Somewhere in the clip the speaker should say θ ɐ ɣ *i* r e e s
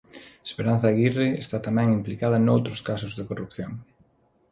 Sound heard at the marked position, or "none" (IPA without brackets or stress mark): i